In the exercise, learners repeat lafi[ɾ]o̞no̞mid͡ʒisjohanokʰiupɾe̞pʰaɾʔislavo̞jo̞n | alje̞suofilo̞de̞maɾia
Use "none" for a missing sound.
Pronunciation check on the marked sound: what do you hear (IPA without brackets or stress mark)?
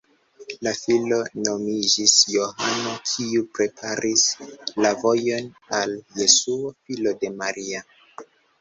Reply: l